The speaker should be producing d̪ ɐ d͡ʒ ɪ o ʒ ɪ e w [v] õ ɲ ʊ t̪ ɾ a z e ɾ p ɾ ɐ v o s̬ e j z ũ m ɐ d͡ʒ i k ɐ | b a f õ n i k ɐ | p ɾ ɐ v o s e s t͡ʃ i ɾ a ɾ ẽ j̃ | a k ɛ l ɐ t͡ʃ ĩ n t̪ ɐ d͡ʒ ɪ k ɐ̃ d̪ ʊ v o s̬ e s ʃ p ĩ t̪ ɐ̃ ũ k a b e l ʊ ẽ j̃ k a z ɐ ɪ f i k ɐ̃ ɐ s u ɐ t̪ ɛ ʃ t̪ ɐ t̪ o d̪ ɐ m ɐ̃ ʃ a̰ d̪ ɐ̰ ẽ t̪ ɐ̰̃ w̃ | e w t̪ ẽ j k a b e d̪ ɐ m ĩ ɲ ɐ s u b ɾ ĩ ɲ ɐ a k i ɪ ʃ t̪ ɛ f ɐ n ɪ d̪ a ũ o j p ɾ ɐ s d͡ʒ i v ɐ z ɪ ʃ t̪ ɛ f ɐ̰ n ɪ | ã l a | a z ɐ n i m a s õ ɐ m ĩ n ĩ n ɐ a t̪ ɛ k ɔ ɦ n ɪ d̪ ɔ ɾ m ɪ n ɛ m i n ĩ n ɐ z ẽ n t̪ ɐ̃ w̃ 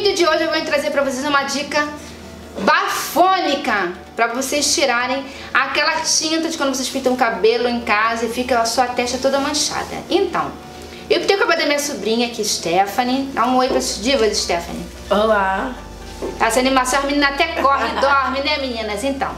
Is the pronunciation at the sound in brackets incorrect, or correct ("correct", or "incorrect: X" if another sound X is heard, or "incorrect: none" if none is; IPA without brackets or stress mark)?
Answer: correct